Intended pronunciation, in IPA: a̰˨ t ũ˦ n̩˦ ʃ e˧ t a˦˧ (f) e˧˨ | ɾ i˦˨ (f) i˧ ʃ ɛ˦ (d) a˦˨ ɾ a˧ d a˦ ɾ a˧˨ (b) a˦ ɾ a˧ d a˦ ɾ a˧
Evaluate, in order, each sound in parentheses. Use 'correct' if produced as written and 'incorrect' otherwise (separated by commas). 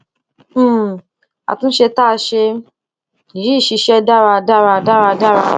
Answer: incorrect, incorrect, correct, incorrect